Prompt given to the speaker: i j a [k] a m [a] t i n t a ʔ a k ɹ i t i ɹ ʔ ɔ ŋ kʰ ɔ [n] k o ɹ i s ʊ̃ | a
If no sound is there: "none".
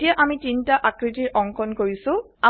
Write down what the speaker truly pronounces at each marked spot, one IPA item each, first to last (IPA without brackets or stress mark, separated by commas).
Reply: ʔ, i, n